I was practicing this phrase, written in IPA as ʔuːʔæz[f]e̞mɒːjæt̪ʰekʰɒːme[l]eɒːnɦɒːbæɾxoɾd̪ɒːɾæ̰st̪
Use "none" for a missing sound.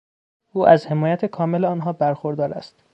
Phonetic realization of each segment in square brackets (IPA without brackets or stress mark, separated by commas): h, l